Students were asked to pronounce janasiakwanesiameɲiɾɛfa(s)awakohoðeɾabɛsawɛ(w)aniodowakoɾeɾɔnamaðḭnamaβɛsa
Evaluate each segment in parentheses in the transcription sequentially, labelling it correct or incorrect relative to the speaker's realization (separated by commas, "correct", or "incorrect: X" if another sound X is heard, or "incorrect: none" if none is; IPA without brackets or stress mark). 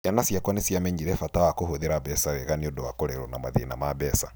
incorrect: t, incorrect: ɣ